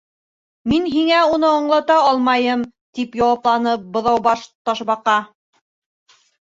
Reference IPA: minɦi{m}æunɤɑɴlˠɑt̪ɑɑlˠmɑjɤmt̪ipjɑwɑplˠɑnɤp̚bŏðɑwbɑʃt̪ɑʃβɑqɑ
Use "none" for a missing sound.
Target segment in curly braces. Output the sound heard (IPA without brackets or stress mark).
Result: ŋ